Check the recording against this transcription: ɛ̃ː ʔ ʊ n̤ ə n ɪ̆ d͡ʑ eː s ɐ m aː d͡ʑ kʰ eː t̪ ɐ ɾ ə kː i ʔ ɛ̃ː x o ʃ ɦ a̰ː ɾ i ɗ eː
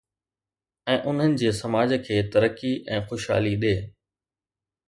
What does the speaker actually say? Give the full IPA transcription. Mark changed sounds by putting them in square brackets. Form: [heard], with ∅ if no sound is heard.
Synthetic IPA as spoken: ɛ̃ː ʔ ʊ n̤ ə n ɪ̆ d͡ʑ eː s ɐ m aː d͡ʑ kʰ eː t̪ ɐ ɾ ə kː i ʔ ɛ̃ː x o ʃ ɦ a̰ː [l] i ɗ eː

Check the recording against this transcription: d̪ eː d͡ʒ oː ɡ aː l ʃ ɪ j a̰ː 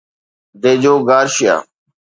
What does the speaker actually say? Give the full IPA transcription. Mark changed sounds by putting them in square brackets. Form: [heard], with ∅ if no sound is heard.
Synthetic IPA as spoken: d̪ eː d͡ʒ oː ɡ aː [ɾ] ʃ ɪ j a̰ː

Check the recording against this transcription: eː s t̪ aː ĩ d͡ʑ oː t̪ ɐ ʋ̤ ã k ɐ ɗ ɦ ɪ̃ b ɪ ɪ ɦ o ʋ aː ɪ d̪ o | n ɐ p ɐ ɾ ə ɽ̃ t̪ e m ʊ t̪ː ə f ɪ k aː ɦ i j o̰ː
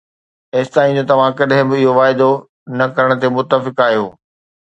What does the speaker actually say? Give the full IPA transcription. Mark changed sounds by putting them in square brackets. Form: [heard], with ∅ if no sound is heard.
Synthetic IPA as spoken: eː s t̪ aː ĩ d͡ʑ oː t̪ ɐ ʋ̤ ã k ɐ ɗ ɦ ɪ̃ b ɪ ɪ ɦ o ʋ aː ɪ d̪ o | n ɐ [k] ɐ ɾ ə ɽ̃ t̪ e m ʊ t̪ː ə f ɪ k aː ɦ i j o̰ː

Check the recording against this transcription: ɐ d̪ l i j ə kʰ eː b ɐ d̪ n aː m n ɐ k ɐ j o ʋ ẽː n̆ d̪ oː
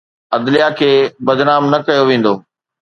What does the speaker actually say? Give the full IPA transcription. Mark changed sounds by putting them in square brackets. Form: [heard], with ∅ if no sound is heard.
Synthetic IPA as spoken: ɐ d̪ l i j [a] kʰ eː b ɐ d̪ n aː m n ɐ k ɐ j o ʋ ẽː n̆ d̪ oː

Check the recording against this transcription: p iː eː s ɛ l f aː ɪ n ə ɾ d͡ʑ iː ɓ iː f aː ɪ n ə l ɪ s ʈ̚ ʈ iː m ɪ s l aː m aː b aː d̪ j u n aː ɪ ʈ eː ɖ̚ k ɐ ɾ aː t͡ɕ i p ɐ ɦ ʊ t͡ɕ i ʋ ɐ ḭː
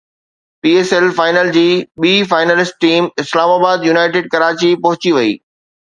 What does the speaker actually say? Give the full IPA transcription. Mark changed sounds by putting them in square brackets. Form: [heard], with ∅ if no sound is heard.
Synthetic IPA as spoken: p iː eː s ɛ l f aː ɪ n ə [l] d͡ʑ iː ɓ iː f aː ɪ n ə l ɪ s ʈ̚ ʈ iː m ɪ s l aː m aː b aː d̪ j u n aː ɪ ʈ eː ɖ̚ k ɐ ɾ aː t͡ɕ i p ɐ ɦ ʊ t͡ɕ i ʋ ɐ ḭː

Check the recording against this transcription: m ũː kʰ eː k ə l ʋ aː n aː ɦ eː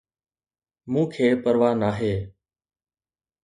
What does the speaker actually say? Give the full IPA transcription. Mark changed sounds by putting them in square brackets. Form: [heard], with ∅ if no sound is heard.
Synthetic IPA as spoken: m ũː kʰ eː [p] ə [ɾ] ʋ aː n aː ɦ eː

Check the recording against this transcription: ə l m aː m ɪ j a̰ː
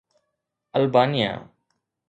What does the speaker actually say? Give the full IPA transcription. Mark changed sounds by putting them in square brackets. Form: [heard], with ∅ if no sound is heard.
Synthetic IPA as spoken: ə l [b] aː [n] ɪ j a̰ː

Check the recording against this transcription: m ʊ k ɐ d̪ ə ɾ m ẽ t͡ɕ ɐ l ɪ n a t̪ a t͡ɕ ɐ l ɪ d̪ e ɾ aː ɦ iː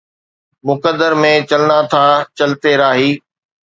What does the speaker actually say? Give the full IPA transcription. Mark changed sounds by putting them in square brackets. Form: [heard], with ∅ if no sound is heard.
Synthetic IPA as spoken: m ʊ k [ə] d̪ ə ɾ m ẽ t͡ɕ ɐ l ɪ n a [t̪ʰ] a t͡ɕ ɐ l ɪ [t̪] e ɾ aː ɦ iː

